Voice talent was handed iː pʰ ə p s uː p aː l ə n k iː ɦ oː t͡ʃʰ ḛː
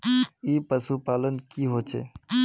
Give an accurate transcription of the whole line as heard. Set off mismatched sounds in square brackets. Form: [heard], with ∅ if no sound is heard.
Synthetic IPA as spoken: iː [p] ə [∅] s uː p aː l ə n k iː ɦ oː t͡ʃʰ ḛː